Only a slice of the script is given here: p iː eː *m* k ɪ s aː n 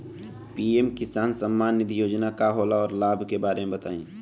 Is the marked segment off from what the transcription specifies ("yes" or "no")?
no